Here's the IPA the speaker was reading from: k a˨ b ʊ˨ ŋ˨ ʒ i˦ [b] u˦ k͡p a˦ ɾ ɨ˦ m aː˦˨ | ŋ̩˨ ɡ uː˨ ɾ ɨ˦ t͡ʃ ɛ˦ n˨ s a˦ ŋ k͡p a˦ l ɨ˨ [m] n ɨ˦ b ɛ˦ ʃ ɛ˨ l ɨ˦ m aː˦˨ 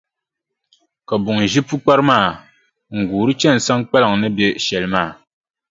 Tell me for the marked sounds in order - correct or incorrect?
incorrect, incorrect

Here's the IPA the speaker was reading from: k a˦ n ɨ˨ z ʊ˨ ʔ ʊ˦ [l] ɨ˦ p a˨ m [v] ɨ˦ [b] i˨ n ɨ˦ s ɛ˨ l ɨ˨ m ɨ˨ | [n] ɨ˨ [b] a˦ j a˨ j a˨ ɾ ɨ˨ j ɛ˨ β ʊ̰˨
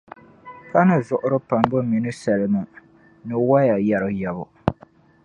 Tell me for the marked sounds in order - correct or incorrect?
incorrect, incorrect, incorrect, correct, incorrect

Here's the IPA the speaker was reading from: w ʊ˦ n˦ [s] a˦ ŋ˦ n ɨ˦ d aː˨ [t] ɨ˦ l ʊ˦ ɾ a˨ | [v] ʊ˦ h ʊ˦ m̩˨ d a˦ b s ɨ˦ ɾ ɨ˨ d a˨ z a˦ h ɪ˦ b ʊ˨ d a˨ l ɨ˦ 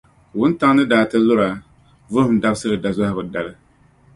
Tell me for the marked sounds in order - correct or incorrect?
incorrect, correct, correct

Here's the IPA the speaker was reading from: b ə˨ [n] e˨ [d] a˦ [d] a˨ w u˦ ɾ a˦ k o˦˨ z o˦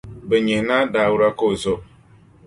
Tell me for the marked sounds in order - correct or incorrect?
incorrect, incorrect, correct

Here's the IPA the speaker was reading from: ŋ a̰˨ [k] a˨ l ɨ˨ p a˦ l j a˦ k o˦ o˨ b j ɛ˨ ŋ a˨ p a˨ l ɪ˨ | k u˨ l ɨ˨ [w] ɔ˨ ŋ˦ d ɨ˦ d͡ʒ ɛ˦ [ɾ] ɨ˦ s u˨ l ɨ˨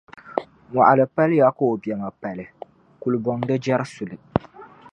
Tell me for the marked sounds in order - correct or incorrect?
incorrect, incorrect, correct

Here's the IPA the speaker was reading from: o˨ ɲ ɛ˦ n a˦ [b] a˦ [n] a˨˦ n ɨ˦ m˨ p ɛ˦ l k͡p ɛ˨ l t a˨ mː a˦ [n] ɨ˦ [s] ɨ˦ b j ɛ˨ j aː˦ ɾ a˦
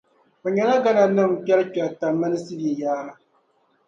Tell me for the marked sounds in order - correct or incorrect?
incorrect, correct, correct, correct

